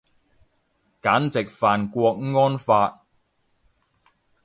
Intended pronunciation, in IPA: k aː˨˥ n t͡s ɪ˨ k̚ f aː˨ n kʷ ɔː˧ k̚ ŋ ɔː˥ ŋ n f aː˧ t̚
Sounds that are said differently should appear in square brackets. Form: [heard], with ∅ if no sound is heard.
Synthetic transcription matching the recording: k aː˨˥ n t͡s ɪ˨ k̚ f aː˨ n kʷ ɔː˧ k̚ ŋ ɔː˥ [∅] n f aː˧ t̚